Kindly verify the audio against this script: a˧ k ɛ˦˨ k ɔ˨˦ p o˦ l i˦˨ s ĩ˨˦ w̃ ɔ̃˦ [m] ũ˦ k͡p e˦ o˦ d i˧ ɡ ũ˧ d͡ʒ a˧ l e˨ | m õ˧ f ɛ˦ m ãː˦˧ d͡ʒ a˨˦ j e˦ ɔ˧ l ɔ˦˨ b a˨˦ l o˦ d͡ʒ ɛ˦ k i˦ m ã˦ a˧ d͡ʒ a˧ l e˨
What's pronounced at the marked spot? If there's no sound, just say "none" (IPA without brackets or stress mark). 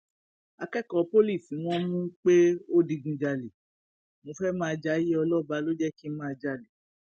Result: m